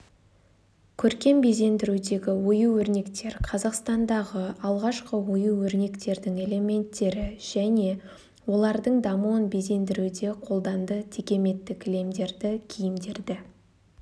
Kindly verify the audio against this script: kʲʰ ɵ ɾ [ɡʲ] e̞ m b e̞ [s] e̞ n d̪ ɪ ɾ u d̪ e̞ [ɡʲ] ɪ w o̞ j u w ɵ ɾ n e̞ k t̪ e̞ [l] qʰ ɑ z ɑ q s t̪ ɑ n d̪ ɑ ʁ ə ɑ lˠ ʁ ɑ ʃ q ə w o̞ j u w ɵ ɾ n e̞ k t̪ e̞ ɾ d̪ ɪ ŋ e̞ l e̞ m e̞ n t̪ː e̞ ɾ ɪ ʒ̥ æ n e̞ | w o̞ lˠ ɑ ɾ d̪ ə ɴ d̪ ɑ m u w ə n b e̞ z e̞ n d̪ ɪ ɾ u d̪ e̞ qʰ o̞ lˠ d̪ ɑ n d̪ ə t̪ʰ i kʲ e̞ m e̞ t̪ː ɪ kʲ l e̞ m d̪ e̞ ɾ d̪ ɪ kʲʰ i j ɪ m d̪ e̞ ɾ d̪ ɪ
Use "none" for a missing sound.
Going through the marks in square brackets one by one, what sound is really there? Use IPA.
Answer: kʲ, z, ɡʲ, ɾ

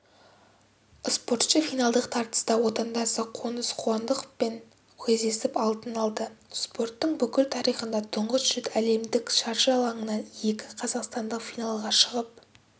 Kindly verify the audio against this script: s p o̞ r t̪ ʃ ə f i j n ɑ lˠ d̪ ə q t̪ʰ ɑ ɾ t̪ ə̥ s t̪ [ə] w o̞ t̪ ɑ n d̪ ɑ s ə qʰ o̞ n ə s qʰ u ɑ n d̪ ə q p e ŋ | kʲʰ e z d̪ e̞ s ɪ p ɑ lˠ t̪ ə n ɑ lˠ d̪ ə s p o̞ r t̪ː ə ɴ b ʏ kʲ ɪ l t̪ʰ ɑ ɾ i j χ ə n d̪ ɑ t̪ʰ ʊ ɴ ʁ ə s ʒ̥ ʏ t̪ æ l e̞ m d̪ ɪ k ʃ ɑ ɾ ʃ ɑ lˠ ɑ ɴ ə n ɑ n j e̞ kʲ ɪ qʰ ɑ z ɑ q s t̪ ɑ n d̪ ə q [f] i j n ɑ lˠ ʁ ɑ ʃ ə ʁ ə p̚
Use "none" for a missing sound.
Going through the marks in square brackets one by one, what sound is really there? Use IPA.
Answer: ɑ, f

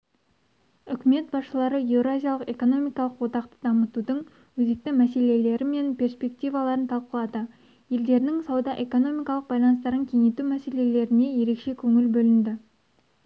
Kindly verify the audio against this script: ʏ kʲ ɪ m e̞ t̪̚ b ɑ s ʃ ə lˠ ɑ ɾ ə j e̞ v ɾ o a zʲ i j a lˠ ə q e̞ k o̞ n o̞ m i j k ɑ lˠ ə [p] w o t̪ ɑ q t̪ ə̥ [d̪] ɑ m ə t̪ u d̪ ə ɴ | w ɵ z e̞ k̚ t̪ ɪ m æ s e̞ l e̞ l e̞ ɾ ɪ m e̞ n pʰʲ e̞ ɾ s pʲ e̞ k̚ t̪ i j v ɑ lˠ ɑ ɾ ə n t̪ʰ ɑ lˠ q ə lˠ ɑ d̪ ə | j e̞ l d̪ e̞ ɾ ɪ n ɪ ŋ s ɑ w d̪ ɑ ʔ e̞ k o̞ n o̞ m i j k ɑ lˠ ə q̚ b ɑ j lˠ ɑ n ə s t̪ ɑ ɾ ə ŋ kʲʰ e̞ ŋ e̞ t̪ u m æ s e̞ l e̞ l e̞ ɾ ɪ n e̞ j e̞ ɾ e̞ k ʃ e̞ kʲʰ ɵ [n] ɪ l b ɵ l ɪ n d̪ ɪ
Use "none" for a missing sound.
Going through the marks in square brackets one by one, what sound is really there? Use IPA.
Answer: q, d̪, ŋ

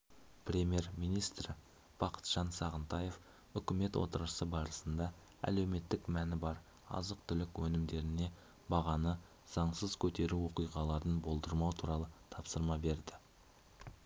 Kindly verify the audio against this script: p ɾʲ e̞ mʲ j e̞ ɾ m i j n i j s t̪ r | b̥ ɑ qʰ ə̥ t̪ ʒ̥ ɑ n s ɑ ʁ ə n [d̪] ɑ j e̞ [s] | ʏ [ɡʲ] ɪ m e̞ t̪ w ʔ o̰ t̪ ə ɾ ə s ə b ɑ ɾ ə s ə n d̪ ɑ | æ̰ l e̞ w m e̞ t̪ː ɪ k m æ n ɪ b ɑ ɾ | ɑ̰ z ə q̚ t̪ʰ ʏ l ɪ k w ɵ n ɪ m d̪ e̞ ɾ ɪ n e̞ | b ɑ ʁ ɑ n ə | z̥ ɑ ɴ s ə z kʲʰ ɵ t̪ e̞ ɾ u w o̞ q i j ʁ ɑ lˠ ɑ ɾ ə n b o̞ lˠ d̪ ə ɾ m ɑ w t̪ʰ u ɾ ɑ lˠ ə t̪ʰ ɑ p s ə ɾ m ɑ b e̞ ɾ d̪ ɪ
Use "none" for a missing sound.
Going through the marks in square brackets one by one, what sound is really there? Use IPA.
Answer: t̪, f, kʲ

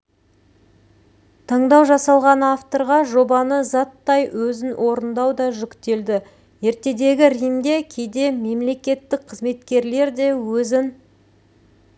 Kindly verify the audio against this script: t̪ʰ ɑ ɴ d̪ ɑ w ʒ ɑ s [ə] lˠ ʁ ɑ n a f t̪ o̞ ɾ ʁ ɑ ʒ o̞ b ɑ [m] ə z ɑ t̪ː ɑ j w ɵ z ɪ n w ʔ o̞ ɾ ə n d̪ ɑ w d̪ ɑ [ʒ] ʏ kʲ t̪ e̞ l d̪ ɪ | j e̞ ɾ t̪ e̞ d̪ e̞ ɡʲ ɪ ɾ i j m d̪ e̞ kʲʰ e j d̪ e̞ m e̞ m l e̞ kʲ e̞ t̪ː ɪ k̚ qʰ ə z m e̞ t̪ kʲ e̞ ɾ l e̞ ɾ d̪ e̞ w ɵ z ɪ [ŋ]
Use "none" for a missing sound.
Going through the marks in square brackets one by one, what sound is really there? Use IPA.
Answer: ɑ, n, ʒ, n

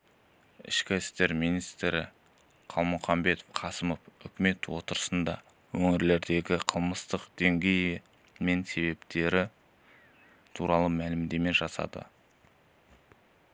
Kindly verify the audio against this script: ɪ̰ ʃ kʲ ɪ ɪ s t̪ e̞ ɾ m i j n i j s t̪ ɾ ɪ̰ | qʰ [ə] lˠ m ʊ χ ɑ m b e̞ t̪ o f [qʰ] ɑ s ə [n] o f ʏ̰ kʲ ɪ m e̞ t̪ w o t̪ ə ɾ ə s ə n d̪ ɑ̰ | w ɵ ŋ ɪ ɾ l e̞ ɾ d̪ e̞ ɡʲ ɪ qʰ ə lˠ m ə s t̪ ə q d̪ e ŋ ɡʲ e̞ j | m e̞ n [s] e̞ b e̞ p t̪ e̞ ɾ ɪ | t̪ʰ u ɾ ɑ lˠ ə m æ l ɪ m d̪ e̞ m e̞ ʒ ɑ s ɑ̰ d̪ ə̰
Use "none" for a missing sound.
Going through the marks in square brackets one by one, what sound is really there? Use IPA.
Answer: ɑ, qʰ, m, s

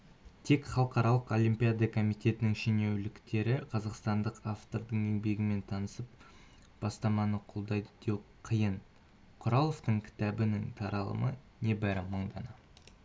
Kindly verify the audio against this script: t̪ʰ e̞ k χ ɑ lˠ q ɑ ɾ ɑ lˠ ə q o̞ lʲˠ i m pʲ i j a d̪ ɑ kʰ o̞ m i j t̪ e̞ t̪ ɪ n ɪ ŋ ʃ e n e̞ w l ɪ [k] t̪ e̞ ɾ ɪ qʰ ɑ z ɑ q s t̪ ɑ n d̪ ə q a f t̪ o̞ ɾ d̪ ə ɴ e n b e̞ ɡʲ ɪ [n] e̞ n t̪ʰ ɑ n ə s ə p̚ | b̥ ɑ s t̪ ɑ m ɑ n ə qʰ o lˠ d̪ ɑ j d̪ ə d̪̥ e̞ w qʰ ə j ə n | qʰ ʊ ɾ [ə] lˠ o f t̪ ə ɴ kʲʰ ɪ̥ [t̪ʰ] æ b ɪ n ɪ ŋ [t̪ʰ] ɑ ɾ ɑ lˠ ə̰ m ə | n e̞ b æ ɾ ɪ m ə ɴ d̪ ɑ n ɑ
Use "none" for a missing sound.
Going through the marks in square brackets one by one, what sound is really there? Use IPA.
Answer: k, m, ɑ, t̪, t̪ʰ

